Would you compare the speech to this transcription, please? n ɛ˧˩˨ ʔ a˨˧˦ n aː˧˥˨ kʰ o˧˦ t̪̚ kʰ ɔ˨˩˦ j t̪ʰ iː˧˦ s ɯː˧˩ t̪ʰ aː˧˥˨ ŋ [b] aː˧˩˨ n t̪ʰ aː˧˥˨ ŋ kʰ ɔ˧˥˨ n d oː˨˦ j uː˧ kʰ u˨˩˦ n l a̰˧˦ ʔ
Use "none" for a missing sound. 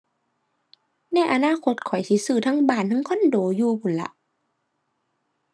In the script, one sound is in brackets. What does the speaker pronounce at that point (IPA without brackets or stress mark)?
b